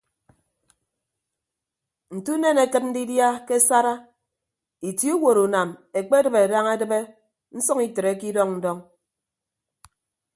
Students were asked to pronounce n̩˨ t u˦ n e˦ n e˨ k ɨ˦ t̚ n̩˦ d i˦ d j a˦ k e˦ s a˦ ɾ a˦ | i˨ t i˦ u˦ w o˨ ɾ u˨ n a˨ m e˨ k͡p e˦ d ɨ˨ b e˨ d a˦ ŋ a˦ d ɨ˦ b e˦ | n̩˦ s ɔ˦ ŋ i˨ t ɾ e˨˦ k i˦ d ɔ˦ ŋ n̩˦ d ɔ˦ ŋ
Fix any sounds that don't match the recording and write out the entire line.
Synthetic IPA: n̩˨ t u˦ n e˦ n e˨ k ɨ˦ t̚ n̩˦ d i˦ d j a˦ k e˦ s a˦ ɾ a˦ | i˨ t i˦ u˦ w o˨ ɾ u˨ n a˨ m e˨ k͡p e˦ d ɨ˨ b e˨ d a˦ ŋ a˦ d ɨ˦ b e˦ | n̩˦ s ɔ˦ ŋ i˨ t ɾ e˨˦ k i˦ d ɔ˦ ŋ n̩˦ d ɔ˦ ŋ